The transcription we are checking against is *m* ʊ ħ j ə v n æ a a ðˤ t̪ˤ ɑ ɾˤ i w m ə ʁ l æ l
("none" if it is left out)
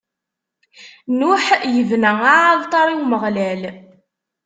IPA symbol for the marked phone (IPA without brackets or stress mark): n